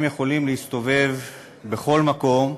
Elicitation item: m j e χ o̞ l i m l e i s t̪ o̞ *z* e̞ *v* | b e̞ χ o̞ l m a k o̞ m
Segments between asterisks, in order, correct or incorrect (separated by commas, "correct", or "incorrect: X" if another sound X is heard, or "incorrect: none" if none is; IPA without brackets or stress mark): incorrect: v, correct